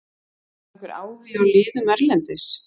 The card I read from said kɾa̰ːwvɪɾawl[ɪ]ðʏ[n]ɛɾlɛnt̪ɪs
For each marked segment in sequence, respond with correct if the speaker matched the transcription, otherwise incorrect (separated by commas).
incorrect, incorrect